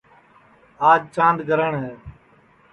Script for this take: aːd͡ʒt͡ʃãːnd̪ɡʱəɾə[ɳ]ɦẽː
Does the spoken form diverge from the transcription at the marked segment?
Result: no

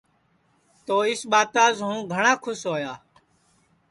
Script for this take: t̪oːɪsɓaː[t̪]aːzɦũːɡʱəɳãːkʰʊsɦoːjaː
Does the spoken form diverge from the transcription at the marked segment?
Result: no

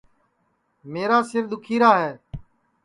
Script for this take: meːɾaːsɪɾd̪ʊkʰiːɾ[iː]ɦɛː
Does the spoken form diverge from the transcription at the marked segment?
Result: yes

